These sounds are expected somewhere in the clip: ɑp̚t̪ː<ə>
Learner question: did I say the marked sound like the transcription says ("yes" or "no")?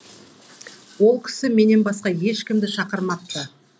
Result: yes